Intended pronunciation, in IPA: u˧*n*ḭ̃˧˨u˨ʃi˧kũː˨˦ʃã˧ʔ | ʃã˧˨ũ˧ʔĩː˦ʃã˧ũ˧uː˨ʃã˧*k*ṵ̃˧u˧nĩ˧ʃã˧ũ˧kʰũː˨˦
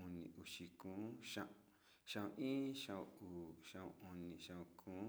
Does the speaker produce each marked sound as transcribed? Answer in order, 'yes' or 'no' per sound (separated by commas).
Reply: yes, no